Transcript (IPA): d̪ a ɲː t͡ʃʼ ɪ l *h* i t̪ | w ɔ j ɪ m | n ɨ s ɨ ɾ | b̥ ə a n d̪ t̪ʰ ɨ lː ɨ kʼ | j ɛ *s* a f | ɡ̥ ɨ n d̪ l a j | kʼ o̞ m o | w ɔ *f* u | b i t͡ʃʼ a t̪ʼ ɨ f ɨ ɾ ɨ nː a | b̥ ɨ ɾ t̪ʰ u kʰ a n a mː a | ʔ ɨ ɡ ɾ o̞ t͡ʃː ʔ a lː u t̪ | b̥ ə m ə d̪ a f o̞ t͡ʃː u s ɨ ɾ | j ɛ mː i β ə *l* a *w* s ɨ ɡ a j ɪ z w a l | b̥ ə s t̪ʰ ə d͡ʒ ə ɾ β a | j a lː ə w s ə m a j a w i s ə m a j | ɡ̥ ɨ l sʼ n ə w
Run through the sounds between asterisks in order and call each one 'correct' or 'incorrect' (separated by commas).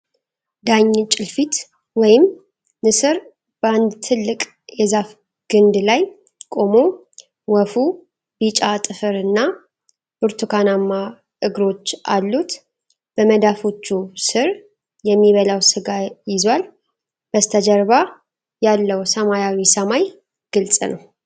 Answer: incorrect, incorrect, correct, correct, correct